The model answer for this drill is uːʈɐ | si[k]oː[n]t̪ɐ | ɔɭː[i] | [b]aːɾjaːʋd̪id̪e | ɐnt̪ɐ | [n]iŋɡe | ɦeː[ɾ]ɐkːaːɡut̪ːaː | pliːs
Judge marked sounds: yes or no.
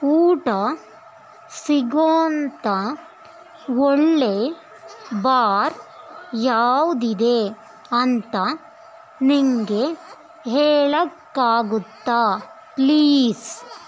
no, yes, no, yes, yes, no

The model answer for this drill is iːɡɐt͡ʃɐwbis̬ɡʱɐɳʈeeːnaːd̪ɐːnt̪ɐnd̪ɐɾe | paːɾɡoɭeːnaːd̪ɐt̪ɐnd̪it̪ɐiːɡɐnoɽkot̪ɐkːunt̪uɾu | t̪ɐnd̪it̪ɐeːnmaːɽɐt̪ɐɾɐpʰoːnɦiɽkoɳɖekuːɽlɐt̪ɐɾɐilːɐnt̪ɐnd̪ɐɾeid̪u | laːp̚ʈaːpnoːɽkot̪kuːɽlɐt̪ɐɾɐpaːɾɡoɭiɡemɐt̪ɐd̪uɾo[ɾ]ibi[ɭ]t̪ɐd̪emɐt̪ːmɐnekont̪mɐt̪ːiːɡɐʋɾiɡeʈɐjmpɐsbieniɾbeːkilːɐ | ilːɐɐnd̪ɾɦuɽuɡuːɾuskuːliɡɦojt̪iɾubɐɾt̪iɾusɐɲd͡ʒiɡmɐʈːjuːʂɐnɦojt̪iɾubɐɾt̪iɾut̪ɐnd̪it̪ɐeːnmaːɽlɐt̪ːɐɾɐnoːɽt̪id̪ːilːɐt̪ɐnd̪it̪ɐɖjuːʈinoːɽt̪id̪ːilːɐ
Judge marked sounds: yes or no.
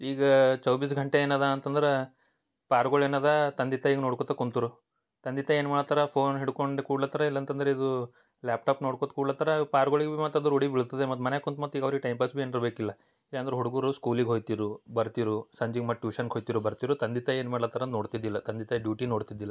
no, yes

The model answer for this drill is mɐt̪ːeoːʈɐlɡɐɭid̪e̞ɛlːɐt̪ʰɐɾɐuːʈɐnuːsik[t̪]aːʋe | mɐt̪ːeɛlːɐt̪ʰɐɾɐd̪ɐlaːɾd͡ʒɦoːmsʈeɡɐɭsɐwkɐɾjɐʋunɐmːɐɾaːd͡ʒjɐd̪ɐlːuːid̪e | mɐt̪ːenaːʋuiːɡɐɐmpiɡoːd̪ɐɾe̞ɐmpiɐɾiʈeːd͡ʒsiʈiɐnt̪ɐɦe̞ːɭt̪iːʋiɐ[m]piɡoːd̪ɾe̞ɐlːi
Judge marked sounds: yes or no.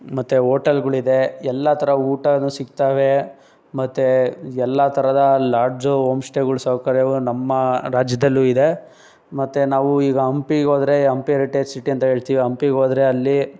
yes, yes

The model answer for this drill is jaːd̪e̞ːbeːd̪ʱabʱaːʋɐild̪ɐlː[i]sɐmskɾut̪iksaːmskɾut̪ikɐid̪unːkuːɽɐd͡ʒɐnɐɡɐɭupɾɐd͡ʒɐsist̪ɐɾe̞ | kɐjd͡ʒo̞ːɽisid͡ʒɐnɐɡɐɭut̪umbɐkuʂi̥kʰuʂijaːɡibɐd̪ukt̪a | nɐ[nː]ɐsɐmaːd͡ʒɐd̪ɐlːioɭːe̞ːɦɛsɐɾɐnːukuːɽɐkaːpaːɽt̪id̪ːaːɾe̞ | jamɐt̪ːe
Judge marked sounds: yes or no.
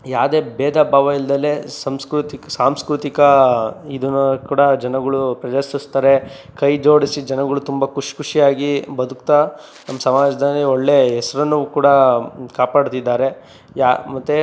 no, no

